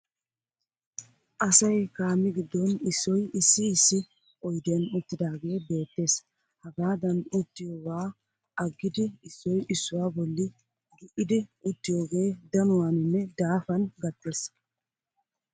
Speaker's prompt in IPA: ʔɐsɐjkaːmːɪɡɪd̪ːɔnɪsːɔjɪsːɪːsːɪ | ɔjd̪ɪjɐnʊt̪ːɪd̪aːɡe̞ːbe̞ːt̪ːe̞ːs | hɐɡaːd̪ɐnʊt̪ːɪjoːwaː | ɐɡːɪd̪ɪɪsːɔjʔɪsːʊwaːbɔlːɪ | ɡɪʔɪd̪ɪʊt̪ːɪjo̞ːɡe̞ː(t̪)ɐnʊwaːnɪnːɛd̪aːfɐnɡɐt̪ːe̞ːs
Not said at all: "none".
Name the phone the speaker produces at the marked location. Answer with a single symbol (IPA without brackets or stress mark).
d̪